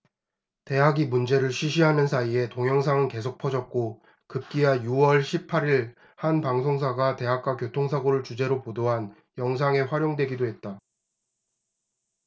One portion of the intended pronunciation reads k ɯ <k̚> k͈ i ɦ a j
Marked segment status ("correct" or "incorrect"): incorrect